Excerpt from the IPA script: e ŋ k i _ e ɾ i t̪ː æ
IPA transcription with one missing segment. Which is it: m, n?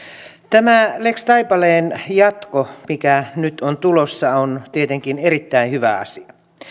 n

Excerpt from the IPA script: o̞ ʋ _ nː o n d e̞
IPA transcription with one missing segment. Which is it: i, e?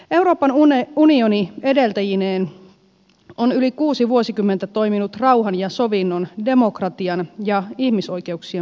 i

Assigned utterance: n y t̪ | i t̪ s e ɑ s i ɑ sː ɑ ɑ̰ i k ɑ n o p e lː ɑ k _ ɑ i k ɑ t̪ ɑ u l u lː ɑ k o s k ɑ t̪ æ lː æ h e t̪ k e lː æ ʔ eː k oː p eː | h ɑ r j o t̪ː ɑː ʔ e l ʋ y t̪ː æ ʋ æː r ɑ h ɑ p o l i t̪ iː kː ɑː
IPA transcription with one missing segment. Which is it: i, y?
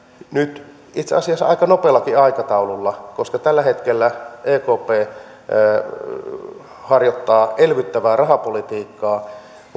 i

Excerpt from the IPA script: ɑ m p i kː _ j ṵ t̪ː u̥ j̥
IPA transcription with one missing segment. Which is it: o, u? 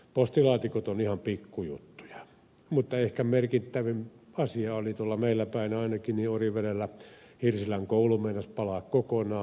u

